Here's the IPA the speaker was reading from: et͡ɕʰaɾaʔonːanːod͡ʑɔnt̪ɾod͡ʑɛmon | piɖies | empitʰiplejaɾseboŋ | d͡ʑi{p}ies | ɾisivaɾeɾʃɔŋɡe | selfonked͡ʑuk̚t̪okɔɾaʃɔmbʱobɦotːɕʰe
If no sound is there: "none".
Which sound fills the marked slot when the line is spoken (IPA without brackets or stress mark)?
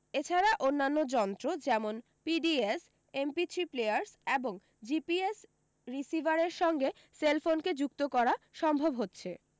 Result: p